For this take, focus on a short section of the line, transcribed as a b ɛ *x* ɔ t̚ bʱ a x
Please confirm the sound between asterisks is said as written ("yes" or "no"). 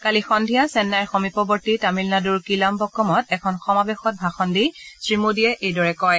yes